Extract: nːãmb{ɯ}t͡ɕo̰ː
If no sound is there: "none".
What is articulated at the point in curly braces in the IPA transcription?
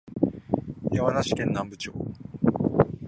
ɯ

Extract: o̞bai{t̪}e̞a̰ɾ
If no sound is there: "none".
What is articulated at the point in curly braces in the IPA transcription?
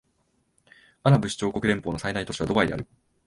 d̪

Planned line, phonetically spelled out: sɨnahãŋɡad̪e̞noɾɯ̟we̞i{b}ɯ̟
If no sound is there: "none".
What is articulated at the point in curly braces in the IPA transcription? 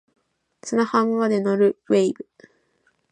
b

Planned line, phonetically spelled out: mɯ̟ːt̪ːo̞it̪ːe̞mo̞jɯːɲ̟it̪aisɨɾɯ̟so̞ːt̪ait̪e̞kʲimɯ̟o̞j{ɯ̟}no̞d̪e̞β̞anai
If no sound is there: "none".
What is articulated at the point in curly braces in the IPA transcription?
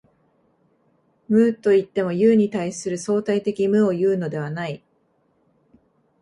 ɯ̟ː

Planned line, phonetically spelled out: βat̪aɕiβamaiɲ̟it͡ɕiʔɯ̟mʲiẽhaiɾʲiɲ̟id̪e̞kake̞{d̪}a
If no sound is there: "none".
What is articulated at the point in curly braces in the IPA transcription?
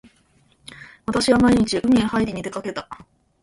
t̪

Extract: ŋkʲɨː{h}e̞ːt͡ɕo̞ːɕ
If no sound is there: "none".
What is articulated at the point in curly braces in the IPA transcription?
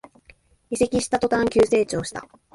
s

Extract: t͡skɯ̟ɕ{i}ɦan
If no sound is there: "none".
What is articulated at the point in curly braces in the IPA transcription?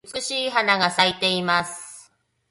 iː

